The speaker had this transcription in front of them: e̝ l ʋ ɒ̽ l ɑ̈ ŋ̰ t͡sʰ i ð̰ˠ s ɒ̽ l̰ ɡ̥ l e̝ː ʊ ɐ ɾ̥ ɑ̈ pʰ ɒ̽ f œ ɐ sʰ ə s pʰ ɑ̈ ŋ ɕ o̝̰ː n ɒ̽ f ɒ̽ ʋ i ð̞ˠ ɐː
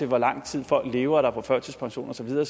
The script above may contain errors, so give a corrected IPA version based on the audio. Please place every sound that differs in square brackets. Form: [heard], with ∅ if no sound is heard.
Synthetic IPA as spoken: e̝ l ʋ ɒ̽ l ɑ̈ ŋ̰ t͡sʰ i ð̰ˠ [f] ɒ̽ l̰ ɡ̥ l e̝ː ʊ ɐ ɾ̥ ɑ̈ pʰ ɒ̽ f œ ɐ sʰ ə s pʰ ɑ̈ ŋ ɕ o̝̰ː n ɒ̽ [s] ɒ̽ ʋ i ð̞ˠ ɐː